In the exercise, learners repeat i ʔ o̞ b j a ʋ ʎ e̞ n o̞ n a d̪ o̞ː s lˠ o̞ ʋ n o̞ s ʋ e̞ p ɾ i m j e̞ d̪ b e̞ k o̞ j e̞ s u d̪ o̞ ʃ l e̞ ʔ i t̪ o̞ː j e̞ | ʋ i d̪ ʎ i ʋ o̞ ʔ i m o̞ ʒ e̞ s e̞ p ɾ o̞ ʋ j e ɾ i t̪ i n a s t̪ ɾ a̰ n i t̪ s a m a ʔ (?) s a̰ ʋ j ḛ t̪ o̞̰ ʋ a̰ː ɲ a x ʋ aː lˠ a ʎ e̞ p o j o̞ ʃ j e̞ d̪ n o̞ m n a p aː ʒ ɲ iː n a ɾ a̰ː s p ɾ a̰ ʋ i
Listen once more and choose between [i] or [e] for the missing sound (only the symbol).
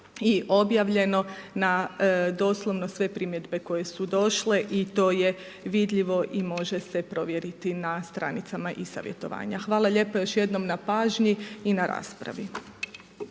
i